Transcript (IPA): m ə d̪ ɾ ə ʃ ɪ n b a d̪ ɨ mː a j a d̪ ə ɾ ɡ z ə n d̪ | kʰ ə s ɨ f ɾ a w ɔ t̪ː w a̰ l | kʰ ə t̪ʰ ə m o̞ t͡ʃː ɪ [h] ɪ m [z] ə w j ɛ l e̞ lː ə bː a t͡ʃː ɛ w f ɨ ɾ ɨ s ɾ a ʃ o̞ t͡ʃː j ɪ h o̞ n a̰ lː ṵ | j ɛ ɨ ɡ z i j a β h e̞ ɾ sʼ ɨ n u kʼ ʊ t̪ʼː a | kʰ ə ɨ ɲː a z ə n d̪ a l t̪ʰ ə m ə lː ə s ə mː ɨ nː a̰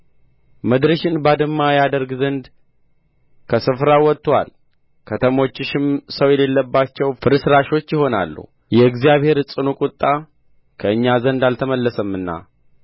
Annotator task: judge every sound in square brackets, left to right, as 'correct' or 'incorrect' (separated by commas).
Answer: incorrect, incorrect